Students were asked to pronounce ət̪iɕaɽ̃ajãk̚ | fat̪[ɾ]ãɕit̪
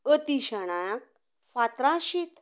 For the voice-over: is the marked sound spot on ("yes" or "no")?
yes